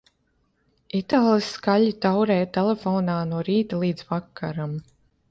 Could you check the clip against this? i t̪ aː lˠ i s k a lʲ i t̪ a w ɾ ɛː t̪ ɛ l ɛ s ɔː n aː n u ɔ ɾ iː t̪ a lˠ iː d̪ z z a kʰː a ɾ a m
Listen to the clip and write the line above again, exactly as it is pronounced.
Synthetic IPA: i t̪ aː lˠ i s k a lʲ i t̪ a w ɾ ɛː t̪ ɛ l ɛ f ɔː n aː n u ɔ ɾ iː t̪ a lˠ iː d̪ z v a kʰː a ɾ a m